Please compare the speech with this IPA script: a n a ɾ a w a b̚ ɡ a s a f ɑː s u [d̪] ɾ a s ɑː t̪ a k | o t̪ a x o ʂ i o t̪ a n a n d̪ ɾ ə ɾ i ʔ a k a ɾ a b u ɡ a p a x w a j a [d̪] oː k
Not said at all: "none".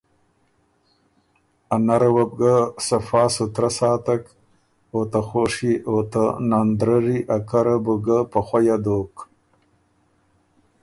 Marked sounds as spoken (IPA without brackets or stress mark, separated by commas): t̪, d̪